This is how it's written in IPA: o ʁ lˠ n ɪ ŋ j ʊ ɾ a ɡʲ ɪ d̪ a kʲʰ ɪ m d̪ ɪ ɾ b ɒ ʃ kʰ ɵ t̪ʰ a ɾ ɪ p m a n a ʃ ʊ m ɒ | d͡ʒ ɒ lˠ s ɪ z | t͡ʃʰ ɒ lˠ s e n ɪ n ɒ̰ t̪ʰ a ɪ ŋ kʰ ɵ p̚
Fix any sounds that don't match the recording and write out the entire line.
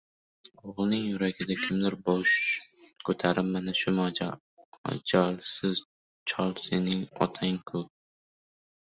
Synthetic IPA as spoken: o ʁ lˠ n ɪ ŋ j ʊ ɾ a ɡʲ ɪ d̪ a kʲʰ ɪ m d̪ ɪ ɾ b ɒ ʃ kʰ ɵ t̪ʰ a ɾ ɪ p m a n a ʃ ʊ m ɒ | d͡ʒ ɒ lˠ s ɪ z | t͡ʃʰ ɒ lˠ s e n ɪ ŋ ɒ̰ t̪ʰ a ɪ ŋ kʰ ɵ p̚

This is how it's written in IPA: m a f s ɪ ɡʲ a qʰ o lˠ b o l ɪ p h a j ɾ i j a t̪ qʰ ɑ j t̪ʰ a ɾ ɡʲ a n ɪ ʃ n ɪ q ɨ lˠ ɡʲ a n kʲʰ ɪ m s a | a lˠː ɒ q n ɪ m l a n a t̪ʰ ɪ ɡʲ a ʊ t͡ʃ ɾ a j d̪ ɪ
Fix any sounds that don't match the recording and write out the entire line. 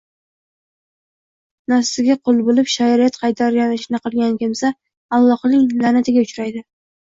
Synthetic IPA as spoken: n a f s ɪ ɡʲ a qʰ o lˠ b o l ɪ p ʃ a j ɾ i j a t̪ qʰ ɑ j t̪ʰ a ɾ ɡʲ a n ɪ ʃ n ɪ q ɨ lˠ ɡʲ a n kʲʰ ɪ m s a | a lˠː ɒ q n ɪ ŋ l a n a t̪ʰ ɪ ɡʲ a ʊ t͡ʃ ɾ a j d̪ ɪ

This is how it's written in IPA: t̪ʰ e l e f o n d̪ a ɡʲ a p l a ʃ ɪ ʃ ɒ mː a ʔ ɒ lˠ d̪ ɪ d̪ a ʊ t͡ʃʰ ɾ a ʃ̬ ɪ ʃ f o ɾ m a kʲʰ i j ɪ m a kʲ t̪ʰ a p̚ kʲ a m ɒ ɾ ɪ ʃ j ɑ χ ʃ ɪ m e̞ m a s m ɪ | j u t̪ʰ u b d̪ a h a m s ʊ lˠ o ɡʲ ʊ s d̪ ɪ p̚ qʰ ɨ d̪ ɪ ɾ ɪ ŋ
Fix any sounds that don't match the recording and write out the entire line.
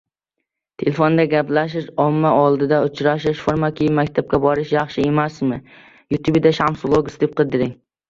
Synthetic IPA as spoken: t̪ʰ e l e f o n d̪ a ɡʲ a p l a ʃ ɪ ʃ ɒ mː a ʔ ɒ lˠ d̪ ɪ d̪ a ʊ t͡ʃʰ ɾ a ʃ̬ ɪ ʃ f o ɾ m a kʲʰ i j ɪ m a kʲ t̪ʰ a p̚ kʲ a b ɒ ɾ ɪ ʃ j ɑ χ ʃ ɪ e̞ m a s m ɪ | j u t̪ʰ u b d̪ a ʃ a m s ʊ lˠ o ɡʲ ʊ s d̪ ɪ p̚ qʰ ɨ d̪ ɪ ɾ ɪ ŋ

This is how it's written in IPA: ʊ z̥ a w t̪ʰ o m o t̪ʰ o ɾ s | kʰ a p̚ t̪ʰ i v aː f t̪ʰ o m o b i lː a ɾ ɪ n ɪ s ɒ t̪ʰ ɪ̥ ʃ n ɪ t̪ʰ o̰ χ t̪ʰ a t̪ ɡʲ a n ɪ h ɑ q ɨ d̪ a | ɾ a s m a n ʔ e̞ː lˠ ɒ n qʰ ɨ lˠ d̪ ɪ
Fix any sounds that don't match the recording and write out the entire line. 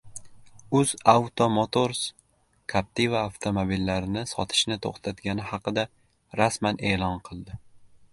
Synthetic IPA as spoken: ʊ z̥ a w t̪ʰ o m o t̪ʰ o ɾ s | kʰ a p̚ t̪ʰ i v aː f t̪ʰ o m o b i lː a ɾ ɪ n ɪ s ɒ t̪ʰ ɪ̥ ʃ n ɪ t̪ʰ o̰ χ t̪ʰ a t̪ ɡʲ a n ɪ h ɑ q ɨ d̪ a | ɾ a s m a n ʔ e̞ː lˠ ɒ n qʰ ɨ lˠ d̪ ɪ

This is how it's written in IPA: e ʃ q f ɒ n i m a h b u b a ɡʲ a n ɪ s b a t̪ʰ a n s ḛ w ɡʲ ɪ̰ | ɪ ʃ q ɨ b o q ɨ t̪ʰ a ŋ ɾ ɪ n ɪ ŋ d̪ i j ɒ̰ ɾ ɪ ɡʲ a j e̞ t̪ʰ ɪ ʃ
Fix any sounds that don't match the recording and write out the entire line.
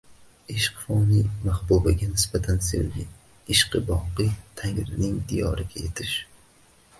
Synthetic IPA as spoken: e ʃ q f ɒ n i m a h b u b a ɡʲ a n ɪ s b a t̪ʰ a n s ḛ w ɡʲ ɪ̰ | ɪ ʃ q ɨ b ɒ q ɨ t̪ʰ a ŋ ɾ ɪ n ɪ ŋ d̪ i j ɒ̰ ɾ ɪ ɡʲ a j e̞ t̪ʰ ɪ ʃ

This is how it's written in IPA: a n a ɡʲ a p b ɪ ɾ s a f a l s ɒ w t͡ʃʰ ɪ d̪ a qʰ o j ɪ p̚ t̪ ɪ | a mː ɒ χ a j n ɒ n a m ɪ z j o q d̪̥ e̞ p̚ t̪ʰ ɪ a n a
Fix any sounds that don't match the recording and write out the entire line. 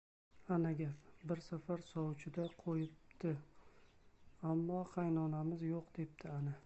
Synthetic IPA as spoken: a n a ɡʲ a p b ɪ ɾ s a f a ɾ s ɒ w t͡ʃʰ ɪ d̪ a qʰ o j ɪ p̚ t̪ ɪ | a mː ɒ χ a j n ɒ n a m ɪ z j o q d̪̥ e̞ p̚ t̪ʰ ɪ a n a

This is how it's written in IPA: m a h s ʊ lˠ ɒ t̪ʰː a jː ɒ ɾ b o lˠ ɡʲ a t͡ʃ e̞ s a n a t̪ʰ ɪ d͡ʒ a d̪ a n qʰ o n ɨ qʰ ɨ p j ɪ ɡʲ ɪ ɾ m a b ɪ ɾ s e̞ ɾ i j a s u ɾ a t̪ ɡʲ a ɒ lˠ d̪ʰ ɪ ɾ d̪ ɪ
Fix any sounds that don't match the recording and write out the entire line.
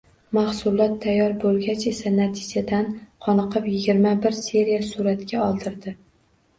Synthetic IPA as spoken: m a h s ʊ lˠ ɒ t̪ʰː a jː ɒ ɾ b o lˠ ɡʲ a t͡ʃ e̞ s a n a t̪ʰ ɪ d͡ʒ a d̪ a n qʰ ɒ n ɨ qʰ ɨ p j ɪ ɡʲ ɪ ɾ m a b ɪ ɾ s e̞ ɾ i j a s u ɾ a t̪ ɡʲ a ɒ lˠ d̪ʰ ɪ ɾ d̪ ɪ

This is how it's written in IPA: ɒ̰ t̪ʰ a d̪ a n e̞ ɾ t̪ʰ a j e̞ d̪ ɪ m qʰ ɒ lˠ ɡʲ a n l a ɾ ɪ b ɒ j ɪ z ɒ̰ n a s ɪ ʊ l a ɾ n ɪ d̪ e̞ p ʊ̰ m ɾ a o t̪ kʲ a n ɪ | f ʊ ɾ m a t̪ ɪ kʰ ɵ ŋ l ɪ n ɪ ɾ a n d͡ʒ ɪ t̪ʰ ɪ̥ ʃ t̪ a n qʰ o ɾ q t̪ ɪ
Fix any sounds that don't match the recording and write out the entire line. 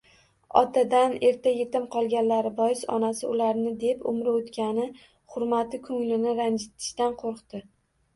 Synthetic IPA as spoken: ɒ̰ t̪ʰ a d̪ a n e̞ ɾ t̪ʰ a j e̞ t̪ ɪ m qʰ ɒ lˠ ɡʲ a n l a ɾ ɪ b ɒ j ɪ s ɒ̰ n a s ɪ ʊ l a ɾ n ɪ d̪ e̞ p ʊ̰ m ɾ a o t̪ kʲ a n ɪ | χ ʊ ɾ m a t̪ ɪ kʰ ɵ ŋ l ɪ n ɪ ɾ a n d͡ʒ ɪ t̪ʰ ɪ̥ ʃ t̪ a n qʰ o ɾ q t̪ ɪ

